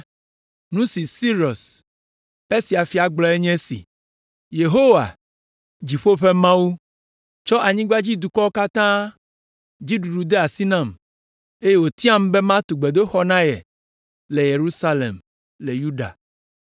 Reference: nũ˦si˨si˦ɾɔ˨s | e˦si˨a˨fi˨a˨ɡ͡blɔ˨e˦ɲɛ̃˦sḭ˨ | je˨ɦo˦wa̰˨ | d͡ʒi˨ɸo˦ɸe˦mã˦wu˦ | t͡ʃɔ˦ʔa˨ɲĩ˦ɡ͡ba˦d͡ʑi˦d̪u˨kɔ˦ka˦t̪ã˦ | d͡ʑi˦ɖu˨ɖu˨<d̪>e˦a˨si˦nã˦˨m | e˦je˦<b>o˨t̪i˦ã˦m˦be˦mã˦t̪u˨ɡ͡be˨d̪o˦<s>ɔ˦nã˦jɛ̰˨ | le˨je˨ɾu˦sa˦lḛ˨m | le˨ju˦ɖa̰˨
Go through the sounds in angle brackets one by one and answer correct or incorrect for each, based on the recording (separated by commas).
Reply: correct, incorrect, incorrect